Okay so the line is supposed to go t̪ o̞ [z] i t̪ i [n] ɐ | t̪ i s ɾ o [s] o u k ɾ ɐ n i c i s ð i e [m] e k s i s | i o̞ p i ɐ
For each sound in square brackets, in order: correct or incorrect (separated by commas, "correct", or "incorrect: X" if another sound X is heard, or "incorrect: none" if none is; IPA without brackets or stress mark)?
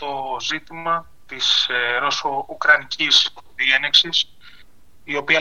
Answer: correct, incorrect: m, correct, incorrect: n